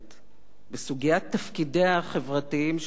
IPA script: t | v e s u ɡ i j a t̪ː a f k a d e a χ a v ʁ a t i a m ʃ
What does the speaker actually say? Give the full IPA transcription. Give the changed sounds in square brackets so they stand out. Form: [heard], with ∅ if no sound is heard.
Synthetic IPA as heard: t | [b] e s u ɡ i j a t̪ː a f k [i] d e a χ [e] v ʁ a t i [i] m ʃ